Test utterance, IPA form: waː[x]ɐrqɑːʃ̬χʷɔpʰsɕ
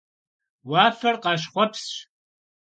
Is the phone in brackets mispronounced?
yes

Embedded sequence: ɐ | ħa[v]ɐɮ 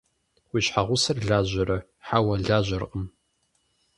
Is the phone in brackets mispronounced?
yes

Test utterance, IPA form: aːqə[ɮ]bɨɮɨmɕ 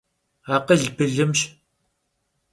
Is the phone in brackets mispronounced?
no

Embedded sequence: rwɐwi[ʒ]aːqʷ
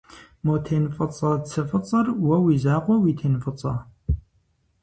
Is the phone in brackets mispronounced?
yes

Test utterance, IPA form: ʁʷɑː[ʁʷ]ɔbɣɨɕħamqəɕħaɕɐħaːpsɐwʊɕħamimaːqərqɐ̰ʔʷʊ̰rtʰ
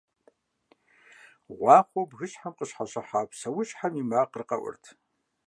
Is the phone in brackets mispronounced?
yes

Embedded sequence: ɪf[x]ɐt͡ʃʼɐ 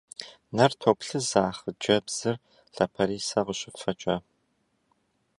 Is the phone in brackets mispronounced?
yes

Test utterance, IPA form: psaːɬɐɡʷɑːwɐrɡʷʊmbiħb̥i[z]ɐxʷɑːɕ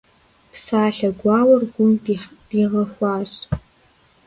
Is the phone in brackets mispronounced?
yes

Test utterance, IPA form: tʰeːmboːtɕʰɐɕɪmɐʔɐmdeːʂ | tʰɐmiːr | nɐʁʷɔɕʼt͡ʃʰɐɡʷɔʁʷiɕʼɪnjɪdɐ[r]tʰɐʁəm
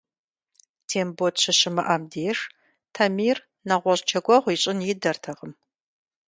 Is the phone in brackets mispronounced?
no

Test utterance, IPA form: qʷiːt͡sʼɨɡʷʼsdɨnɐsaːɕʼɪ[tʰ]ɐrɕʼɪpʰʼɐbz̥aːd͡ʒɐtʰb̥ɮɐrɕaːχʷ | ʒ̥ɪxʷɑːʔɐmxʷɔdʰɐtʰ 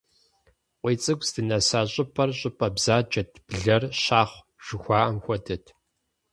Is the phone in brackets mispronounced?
yes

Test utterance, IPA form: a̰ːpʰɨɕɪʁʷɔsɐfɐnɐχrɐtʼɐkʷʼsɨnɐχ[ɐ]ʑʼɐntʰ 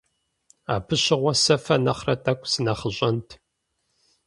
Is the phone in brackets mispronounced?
yes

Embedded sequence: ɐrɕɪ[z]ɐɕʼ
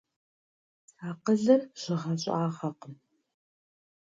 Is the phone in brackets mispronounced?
yes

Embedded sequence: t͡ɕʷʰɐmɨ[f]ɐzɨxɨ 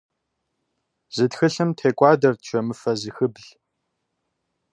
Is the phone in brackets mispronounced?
no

